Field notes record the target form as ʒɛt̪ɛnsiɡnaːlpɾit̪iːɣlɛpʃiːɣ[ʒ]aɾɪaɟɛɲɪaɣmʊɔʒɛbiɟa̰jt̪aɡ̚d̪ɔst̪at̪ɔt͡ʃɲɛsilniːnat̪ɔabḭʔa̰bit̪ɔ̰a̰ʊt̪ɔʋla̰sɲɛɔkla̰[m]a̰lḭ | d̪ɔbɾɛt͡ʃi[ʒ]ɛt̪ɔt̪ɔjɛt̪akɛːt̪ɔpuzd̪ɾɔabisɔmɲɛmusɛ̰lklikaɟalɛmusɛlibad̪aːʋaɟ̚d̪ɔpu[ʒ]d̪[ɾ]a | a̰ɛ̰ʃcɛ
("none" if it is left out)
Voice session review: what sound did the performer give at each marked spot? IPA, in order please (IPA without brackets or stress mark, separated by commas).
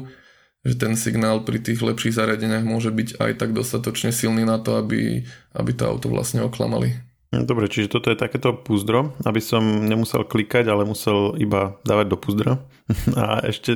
z, m, ʒ, z, ɾ